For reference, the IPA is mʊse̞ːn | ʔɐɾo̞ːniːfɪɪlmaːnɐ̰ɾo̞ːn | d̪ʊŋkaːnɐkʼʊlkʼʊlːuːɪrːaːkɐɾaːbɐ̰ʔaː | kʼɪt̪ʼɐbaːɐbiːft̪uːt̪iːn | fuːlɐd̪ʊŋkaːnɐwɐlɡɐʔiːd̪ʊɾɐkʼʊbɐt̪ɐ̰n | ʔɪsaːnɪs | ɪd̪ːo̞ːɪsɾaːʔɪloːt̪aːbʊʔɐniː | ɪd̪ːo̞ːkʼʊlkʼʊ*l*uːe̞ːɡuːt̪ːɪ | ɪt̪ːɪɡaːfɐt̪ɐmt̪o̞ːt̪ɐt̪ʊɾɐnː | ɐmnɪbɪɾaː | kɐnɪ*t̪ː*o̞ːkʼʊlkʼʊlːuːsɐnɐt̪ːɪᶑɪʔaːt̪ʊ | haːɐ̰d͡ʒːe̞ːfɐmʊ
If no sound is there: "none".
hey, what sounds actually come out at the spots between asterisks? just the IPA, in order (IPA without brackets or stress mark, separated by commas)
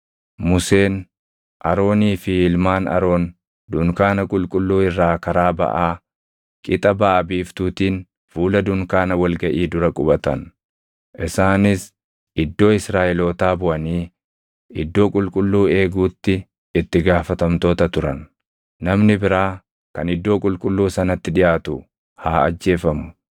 lː, d̪ː